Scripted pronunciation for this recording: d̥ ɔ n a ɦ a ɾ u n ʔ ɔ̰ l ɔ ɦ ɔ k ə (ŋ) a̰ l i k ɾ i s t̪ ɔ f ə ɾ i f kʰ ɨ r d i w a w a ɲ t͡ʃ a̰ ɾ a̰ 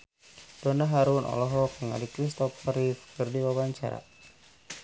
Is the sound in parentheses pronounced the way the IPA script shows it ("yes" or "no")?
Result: yes